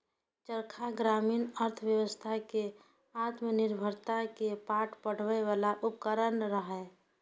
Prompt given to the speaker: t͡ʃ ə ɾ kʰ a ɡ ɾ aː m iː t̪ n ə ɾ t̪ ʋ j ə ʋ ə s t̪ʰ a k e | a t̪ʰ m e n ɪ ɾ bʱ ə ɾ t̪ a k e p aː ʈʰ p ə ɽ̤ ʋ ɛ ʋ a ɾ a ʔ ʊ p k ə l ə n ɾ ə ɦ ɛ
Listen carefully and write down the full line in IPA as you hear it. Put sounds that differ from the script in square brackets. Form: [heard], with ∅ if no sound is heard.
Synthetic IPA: t͡ʃ ə ɾ kʰ a ɡ ɾ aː m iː [∅] n ə ɾ [t̪ʰ] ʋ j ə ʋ ə s t̪ʰ a k e | a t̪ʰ m e n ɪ ɾ bʱ ə ɾ t̪ a k e p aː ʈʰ p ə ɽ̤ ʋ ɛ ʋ a [l] a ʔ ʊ p k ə [ɾ] ə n ɾ ə ɦ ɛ